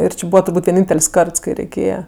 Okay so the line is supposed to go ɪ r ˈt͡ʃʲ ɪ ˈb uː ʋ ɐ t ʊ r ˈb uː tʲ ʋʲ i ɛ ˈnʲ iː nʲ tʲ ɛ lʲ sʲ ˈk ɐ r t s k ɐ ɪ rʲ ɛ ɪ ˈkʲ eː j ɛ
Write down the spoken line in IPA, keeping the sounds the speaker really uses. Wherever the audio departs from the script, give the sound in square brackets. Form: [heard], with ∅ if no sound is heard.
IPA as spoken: ɪ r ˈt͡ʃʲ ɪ ˈb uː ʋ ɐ t ʊ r ˈb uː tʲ ʋʲ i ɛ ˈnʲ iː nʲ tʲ ɛ lʲ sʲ ˈk ɐ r t s k ɐ ɪ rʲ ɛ ɪ ˈkʲ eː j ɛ